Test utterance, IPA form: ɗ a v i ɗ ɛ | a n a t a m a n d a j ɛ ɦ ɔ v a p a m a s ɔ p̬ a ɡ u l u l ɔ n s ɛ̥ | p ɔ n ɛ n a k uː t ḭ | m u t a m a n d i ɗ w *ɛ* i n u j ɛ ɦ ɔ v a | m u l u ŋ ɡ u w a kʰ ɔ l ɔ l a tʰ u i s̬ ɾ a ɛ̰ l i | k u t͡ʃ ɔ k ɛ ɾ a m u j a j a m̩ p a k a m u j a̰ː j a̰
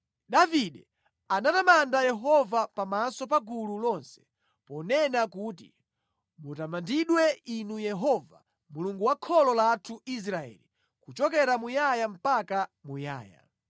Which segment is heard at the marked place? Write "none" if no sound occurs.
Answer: ɛ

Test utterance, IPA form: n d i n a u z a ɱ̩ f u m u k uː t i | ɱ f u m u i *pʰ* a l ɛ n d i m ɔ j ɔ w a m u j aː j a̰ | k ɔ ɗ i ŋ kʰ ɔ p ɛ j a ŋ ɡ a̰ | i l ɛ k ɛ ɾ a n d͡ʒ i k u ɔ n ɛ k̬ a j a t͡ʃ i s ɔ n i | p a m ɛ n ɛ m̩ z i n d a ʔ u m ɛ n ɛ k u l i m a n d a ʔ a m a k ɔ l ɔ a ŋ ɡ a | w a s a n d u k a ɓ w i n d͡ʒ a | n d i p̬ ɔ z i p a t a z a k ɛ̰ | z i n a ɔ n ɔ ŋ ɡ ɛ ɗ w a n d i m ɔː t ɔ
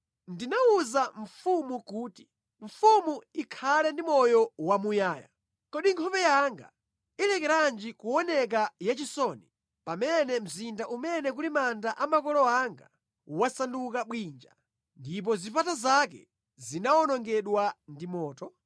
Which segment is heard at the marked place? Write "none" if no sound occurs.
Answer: kʰ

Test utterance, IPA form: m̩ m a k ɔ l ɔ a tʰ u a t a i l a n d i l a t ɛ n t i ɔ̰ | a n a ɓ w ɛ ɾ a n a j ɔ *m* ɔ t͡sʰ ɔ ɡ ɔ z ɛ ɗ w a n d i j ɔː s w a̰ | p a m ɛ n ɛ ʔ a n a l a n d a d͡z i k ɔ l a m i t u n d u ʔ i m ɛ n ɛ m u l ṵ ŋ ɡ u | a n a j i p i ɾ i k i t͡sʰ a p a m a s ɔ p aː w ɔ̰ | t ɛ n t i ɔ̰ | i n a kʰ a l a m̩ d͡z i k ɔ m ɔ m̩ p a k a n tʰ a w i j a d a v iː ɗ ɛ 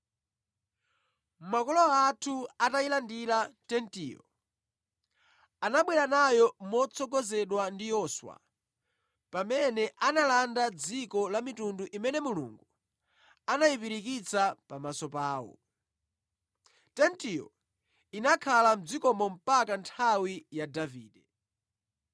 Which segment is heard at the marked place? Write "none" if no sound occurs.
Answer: m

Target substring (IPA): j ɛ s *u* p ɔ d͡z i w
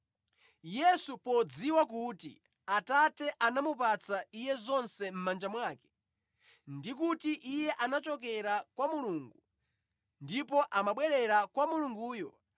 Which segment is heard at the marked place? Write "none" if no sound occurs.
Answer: u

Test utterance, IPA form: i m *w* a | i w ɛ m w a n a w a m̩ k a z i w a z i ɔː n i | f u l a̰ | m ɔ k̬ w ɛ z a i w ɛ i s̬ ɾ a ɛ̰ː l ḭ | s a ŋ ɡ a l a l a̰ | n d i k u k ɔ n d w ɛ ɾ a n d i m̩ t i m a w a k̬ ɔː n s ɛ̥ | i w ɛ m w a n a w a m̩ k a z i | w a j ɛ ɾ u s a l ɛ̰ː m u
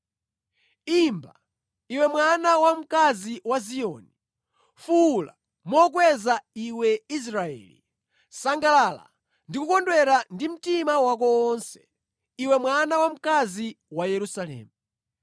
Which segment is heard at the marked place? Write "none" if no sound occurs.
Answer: b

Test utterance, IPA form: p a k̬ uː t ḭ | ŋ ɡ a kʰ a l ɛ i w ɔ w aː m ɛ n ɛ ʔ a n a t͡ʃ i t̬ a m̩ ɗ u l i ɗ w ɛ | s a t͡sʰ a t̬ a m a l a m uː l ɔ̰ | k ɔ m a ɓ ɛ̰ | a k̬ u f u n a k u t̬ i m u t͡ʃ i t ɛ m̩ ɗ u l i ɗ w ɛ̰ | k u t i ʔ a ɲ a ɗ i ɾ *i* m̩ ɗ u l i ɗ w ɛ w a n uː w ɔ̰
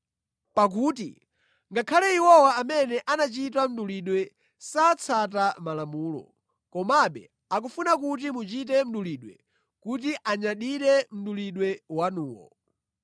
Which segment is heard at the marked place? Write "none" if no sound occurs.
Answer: ɛ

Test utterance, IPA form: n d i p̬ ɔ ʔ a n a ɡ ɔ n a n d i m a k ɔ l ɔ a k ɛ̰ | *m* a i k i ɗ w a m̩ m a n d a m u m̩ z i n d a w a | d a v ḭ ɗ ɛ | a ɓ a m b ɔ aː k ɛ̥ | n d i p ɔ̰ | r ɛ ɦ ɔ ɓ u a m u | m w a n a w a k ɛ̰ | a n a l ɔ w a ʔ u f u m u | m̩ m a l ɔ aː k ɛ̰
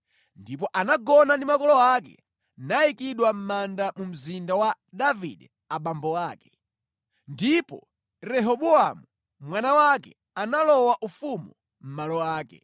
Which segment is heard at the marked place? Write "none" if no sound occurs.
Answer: n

